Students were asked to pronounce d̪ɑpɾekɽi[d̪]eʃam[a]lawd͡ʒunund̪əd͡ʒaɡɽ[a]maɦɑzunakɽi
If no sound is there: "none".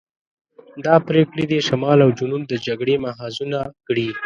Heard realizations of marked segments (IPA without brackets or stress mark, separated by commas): d̪, ɑ, e